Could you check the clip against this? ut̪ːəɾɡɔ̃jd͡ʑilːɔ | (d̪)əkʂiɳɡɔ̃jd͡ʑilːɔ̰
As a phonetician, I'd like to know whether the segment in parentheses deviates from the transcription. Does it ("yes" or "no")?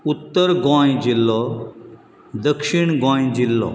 no